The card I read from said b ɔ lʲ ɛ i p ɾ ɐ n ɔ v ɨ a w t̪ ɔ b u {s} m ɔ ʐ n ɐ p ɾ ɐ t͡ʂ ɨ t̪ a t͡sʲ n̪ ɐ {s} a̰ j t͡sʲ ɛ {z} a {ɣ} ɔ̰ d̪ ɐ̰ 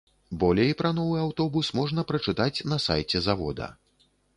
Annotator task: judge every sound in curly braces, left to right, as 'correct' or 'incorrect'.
correct, correct, correct, incorrect

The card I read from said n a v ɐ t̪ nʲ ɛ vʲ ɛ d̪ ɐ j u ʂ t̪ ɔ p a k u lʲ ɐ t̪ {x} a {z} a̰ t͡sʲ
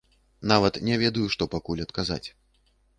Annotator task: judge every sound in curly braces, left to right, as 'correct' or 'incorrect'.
incorrect, correct

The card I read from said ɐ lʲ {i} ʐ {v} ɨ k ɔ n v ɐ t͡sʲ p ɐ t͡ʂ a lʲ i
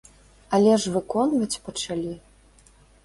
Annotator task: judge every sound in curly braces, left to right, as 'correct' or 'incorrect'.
incorrect, correct

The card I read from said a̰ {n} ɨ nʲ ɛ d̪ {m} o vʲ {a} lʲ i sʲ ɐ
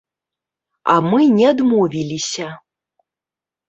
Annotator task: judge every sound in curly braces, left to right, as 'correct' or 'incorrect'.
incorrect, correct, incorrect

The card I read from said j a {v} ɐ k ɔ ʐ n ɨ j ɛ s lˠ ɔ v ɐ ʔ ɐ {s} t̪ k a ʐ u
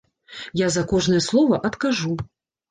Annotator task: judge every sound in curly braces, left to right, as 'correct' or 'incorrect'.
incorrect, incorrect

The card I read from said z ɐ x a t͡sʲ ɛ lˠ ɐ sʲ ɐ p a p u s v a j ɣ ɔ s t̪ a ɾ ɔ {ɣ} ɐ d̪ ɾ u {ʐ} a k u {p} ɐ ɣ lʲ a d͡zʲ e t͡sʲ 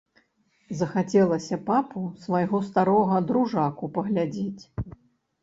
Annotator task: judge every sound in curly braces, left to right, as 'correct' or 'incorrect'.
correct, correct, correct

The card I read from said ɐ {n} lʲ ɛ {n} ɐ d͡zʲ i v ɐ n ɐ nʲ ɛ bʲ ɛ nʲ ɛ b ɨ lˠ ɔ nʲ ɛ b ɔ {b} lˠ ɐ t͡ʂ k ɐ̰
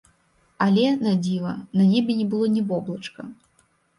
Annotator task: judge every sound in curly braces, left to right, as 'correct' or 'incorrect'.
incorrect, correct, correct

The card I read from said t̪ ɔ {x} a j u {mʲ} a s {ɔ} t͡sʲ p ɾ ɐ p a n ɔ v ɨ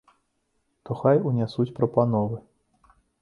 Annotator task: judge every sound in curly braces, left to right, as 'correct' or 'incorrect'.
correct, incorrect, incorrect

